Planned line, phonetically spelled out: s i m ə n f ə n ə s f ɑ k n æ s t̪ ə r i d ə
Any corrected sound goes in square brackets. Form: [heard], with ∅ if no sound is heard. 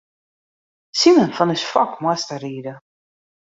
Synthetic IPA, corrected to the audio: s i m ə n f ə n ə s f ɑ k [m] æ s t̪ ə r i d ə